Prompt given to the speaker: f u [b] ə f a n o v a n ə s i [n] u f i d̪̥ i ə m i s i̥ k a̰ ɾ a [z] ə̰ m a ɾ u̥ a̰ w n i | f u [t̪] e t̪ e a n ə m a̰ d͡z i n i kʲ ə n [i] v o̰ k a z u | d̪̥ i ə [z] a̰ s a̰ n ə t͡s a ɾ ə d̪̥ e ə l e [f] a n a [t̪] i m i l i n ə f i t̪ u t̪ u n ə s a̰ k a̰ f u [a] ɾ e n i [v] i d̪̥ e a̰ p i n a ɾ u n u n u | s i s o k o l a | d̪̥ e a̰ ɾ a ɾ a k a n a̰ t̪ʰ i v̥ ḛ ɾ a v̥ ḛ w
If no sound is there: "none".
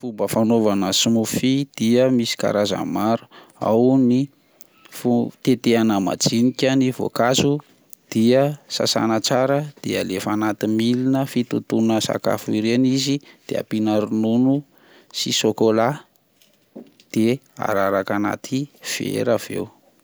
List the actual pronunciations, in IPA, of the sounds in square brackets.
b, m, z, t̪, i, s, f, t̪, i, z

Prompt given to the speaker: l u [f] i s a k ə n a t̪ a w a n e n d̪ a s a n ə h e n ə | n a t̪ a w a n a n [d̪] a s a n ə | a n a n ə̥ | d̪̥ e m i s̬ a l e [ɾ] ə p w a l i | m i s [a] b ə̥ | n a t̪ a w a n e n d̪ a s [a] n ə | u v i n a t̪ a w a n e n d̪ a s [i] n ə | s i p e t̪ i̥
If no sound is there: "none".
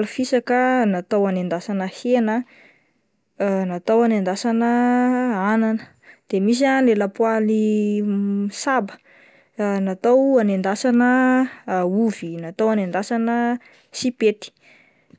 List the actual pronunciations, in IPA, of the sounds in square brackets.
f, d̪, l, a, a, a

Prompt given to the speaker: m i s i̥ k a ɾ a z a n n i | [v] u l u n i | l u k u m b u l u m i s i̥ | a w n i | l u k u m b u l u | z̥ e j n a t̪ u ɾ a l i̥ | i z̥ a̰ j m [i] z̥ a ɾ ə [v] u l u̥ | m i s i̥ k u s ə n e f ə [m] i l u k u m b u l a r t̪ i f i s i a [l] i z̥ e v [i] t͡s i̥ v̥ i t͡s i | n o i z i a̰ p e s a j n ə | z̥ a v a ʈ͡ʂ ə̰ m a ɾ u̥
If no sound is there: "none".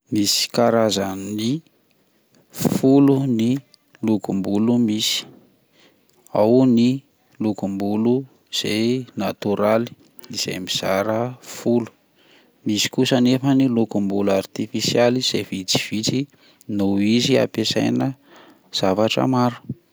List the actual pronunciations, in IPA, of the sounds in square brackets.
f, i, f, n, l, i

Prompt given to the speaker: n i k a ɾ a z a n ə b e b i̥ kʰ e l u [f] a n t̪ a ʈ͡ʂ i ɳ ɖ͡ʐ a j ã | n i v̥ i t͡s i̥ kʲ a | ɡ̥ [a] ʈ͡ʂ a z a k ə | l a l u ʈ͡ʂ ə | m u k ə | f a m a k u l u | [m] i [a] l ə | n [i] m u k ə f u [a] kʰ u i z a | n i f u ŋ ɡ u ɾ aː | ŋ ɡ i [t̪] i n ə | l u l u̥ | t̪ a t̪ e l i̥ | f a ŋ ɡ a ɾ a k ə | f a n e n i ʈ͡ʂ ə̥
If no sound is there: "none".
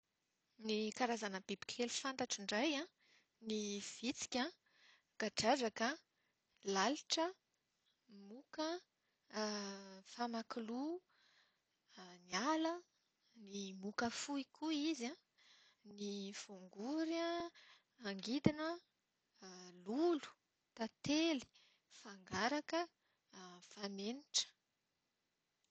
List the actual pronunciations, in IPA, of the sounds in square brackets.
f, a, n, a, i, i, d̪

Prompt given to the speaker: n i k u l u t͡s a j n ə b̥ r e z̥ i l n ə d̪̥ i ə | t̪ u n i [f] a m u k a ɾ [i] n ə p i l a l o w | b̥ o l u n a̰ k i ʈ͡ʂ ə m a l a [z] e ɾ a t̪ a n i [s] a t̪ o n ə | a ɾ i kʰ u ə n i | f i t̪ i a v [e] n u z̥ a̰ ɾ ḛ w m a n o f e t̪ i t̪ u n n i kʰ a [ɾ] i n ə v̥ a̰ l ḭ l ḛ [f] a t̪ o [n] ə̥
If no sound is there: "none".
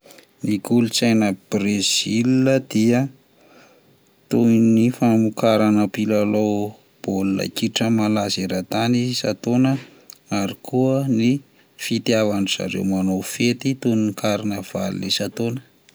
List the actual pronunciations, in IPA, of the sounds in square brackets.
f, a, z, s, a, ɾ, s, n

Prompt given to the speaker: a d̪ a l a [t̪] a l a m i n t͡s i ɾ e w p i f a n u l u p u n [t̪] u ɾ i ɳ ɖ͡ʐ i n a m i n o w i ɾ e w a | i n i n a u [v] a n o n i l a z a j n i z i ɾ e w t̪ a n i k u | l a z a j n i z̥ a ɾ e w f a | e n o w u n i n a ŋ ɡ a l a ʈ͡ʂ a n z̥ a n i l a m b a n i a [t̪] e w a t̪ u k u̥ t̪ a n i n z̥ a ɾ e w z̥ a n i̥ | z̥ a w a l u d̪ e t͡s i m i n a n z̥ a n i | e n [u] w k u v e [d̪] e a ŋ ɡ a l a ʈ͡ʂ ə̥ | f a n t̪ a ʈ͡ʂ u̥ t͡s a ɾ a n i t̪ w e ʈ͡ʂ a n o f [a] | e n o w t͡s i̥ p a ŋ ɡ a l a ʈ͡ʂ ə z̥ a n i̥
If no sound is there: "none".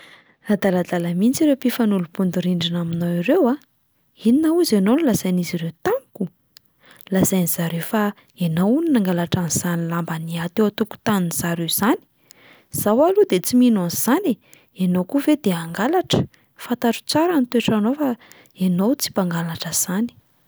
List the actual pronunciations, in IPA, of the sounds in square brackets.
d̪, d̪, z, t̪, o, d̪, a

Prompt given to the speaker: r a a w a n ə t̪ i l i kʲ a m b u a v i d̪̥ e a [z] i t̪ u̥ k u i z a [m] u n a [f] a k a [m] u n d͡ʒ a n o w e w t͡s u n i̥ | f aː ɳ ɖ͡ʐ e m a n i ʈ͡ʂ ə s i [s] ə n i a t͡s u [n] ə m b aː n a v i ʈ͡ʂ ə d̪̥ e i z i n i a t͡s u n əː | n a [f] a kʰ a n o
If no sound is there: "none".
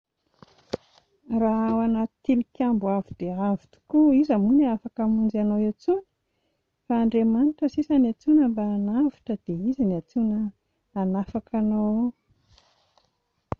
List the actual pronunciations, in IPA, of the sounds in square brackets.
v, m, f, m, s, n, f

